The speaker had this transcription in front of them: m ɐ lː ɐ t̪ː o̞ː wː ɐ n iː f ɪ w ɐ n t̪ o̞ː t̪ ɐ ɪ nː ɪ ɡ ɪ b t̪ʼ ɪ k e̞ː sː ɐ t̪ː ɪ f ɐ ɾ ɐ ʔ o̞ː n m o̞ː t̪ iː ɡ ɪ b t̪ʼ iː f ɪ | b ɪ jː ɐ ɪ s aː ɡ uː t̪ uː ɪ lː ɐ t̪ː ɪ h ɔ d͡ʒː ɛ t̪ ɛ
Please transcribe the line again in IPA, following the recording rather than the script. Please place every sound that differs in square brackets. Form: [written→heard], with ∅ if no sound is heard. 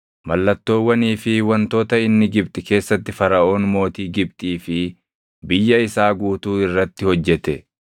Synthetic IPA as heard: m ɐ lː ɐ t̪ː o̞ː wː ɐ n iː f ɪ w ɐ n t̪ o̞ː t̪ ɐ ɪ nː ɪ ɡ ɪ b t̪ʼ ɪ k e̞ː sː ɐ t̪ː ɪ f ɐ ɾ ɐ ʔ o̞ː n m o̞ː t̪ iː ɡ ɪ b t̪ʼ iː f ɪ | b ɪ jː ɐ ɪ s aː ɡ uː t̪ uː ɪ [lː→rː] ɐ t̪ː ɪ h ɔ d͡ʒː ɛ t̪ ɛ